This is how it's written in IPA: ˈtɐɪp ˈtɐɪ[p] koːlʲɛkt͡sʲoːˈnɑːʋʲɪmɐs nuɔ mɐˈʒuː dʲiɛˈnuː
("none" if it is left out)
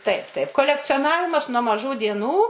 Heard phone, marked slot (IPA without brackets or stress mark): p